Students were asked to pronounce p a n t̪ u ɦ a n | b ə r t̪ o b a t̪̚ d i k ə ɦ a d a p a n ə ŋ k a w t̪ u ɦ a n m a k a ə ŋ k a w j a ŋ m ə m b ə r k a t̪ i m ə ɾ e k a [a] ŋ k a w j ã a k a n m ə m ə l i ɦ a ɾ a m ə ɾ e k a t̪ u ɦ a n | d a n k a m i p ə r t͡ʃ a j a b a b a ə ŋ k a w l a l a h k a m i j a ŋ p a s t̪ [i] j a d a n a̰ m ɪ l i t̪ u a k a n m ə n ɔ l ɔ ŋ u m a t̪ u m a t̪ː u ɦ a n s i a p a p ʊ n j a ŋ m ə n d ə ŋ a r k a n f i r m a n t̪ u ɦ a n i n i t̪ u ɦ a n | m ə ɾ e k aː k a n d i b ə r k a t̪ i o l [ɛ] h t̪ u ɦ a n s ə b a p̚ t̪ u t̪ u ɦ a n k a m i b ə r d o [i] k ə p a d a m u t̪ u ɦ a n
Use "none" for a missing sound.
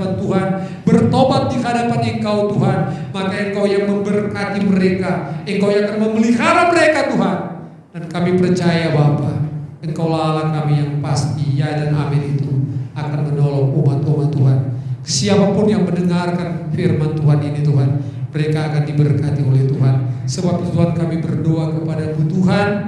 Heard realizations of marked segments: ə, i, ɛ, a

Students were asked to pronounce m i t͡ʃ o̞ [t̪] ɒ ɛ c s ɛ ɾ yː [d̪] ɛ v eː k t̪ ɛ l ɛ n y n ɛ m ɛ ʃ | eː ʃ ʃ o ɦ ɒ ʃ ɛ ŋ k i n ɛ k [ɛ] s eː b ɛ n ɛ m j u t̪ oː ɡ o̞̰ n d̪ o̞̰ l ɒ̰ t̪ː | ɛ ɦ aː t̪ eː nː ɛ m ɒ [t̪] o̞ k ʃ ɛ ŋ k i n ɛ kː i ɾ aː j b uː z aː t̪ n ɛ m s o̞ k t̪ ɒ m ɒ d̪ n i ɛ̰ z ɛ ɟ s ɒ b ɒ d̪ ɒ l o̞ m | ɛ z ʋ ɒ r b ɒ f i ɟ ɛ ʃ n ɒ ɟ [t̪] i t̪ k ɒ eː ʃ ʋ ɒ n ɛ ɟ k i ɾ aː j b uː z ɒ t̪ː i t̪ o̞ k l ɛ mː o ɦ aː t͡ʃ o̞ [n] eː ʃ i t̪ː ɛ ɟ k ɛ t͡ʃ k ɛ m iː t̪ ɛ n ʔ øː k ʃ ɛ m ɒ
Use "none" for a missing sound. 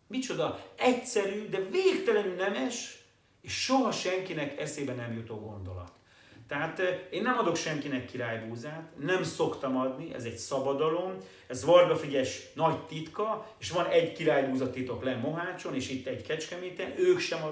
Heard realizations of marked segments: d̪, d̪, ɛ, d̪, t̪, n

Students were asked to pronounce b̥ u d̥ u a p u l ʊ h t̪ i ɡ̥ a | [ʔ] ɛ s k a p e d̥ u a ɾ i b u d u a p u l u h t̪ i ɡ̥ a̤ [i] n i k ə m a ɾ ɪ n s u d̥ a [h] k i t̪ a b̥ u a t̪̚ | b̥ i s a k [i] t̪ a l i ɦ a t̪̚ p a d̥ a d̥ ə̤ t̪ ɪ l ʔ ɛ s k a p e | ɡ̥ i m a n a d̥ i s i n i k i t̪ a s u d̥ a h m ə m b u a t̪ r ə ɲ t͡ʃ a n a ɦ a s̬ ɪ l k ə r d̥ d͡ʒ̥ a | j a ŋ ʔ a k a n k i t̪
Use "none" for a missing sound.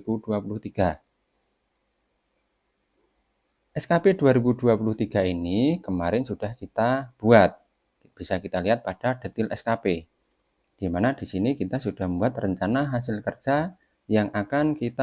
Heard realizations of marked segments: ʔ, i, h, i

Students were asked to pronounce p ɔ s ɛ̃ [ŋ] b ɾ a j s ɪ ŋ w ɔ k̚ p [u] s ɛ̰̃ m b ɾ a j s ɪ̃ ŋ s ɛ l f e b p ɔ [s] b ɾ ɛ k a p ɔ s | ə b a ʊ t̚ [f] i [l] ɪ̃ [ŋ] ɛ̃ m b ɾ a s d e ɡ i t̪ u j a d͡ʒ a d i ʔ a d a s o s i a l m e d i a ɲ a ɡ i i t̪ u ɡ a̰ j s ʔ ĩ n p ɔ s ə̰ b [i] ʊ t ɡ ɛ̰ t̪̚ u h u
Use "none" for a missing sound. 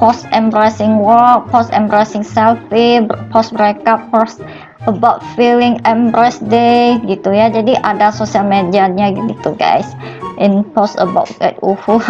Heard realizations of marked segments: m, ɔ, s, f, l, ŋ, a

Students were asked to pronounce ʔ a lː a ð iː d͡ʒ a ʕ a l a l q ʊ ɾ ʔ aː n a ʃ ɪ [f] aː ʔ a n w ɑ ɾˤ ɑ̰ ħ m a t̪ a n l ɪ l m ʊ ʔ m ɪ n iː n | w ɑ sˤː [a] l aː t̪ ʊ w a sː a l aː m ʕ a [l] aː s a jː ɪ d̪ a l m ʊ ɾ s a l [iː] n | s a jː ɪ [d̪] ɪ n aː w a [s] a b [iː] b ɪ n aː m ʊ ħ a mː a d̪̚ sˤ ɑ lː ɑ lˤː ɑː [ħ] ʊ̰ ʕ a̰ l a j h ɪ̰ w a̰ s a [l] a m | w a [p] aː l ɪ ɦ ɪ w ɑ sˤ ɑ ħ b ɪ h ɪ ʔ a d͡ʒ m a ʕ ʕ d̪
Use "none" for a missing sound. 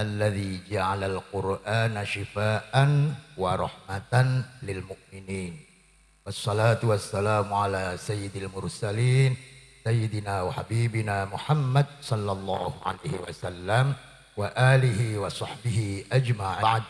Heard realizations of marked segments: f, ɑ, l, iː, d̪, ħ, iː, h, lː, ʔ

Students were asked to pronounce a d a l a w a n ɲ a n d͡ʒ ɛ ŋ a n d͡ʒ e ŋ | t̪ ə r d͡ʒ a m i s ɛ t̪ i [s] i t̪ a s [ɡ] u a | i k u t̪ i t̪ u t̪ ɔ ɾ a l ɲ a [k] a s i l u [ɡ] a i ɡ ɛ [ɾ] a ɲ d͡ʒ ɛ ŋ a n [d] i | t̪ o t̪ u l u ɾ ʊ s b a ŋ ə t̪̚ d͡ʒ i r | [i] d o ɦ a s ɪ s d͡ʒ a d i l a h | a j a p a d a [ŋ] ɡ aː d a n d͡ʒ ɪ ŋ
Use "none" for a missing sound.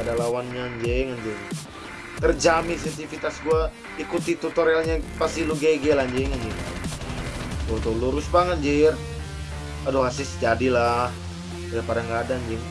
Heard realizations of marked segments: f, ɡ, p, ɡ, l, d͡ʒ, a, ŋ

